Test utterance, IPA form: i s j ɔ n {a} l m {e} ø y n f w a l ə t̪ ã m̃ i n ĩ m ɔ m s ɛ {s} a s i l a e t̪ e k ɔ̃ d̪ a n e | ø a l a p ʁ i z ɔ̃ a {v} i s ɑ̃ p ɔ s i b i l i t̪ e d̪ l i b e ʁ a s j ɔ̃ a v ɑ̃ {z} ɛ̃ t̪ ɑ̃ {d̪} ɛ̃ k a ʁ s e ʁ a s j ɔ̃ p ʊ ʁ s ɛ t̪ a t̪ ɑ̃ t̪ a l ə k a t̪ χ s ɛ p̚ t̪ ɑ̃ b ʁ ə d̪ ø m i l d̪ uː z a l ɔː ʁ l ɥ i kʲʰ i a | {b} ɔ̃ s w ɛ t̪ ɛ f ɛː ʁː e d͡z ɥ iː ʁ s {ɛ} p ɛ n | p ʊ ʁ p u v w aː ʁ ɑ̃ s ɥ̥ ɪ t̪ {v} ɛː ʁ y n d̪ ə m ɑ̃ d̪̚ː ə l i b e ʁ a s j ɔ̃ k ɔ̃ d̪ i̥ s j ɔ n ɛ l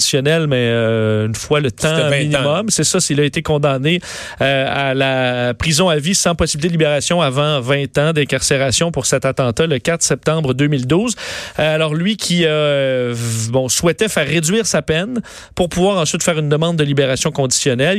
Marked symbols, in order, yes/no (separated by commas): no, no, yes, yes, no, yes, yes, no, no